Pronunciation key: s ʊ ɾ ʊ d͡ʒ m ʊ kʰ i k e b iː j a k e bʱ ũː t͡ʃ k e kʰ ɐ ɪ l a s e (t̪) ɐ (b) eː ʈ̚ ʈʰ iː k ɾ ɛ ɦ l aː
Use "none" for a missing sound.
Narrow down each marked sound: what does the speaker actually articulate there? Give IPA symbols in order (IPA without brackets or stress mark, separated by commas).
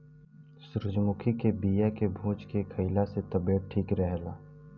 t̪, b